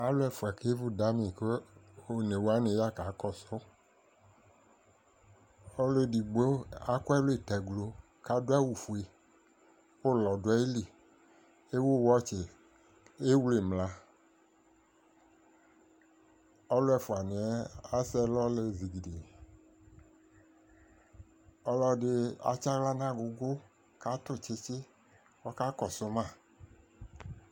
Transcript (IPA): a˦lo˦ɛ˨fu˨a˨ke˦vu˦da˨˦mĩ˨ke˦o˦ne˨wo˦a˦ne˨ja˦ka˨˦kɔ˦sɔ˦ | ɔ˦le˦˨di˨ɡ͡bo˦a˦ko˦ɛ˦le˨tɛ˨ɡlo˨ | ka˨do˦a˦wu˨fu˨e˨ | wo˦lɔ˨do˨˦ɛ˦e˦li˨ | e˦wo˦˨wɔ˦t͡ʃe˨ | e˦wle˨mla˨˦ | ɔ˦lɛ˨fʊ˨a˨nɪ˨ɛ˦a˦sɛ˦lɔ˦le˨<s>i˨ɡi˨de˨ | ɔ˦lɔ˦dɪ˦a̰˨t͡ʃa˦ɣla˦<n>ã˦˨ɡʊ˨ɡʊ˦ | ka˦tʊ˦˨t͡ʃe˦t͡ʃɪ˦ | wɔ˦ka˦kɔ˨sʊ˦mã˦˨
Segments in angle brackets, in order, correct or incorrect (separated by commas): incorrect, correct